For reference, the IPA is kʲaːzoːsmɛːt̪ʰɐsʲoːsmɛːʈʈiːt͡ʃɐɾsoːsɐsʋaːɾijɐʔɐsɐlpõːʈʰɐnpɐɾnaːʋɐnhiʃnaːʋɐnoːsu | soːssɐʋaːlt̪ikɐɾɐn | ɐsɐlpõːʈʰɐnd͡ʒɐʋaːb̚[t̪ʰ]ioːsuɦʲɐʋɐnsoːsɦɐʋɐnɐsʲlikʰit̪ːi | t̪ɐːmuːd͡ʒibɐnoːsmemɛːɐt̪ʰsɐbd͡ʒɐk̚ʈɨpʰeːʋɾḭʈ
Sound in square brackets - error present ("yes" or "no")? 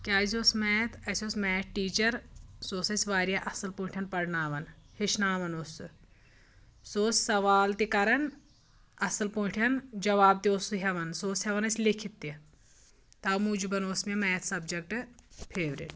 yes